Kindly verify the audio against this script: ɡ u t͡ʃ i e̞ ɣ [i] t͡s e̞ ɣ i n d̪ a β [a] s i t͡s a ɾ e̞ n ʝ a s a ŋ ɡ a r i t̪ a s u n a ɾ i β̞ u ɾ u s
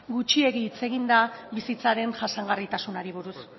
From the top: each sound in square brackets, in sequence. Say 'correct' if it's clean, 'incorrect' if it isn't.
incorrect: iː, incorrect: i

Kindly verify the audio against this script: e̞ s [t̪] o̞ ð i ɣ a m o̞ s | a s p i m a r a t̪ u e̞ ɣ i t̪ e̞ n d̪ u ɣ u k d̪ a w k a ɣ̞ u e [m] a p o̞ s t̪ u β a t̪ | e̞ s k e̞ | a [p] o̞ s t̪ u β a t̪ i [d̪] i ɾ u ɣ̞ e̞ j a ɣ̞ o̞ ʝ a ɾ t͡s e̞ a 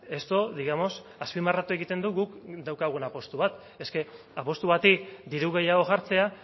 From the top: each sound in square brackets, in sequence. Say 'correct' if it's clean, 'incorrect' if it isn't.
correct, incorrect: n, correct, correct

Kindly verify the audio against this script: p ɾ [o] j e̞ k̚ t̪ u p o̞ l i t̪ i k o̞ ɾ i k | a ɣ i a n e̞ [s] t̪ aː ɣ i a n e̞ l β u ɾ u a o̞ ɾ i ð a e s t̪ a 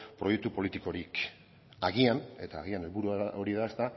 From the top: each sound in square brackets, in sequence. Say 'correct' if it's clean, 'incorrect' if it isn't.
correct, incorrect: none

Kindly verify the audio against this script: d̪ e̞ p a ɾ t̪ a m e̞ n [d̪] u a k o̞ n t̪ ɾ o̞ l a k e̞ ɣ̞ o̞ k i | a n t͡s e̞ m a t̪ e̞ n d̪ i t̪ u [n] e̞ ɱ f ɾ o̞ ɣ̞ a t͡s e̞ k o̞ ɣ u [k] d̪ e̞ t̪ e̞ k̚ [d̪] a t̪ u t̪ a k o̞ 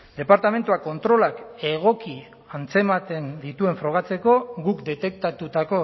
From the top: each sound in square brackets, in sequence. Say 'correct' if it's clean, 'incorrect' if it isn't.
incorrect: t̪, incorrect: none, correct, incorrect: t̪

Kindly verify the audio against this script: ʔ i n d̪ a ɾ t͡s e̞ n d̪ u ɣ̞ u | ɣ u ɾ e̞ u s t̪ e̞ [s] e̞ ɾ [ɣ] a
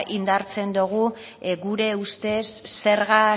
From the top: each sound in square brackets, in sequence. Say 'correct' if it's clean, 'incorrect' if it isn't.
incorrect: sː, correct

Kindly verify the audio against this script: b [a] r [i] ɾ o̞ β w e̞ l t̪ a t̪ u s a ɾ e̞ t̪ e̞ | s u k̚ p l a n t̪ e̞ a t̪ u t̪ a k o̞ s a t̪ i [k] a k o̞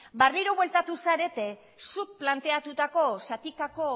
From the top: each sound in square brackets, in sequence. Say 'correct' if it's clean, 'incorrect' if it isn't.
correct, correct, correct

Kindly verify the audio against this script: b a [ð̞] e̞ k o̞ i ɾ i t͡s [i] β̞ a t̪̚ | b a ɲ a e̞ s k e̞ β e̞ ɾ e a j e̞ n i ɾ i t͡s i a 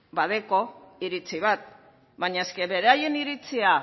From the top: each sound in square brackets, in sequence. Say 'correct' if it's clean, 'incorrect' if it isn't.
correct, correct

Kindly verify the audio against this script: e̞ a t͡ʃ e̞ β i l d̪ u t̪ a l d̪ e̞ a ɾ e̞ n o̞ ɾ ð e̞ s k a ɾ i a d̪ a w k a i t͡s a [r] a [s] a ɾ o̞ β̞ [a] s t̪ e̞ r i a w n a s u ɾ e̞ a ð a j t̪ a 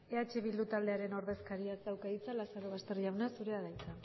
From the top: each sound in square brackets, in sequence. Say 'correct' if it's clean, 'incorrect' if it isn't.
incorrect: l, correct, correct

